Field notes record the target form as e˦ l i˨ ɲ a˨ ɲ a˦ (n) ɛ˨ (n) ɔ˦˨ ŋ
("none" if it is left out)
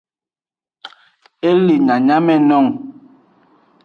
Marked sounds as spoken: m, n

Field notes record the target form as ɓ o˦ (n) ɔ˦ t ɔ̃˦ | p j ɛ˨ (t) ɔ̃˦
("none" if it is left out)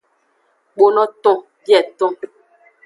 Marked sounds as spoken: n, t

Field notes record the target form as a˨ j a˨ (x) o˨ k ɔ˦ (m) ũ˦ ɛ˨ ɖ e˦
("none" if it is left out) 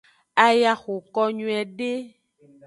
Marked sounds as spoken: x, ɲ

